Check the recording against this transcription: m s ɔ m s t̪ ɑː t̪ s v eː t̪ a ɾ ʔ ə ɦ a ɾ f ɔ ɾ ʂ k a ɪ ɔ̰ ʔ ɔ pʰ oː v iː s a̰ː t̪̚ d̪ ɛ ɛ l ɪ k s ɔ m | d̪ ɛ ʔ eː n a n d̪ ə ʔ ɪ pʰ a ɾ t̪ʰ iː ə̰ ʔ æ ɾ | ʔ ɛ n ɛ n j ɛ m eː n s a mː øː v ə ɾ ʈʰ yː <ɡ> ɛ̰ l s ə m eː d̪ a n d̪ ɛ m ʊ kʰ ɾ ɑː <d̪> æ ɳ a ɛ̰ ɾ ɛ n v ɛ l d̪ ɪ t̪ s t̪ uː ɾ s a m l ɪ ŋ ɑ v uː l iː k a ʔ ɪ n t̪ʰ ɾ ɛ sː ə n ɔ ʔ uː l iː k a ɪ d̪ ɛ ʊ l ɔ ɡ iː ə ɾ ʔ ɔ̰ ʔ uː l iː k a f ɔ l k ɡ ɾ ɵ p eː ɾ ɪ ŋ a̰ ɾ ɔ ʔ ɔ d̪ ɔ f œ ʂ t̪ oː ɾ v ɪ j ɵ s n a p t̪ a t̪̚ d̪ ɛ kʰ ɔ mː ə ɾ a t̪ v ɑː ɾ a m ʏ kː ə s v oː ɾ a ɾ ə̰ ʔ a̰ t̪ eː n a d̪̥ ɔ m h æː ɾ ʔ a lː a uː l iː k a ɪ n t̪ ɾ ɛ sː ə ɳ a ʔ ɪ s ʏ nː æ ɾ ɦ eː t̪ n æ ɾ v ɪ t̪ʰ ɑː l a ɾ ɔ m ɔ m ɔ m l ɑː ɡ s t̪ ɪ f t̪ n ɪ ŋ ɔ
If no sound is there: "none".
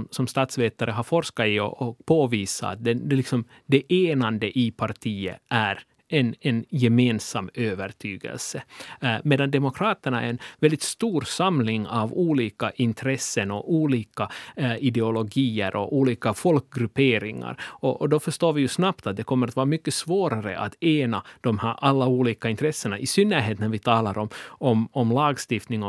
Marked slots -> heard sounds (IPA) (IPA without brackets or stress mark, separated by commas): ɡ, t̪